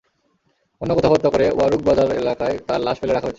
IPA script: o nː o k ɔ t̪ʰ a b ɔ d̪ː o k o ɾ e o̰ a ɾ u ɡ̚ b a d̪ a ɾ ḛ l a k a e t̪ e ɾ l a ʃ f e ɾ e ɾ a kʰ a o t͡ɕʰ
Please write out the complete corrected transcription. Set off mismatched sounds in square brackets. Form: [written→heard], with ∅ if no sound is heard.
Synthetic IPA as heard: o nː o k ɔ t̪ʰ a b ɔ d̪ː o k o ɾ e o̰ a ɾ u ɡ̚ b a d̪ a ɾ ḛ l a k a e t̪ [e→a] ɾ l a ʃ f e [ɾ→l] e ɾ a kʰ a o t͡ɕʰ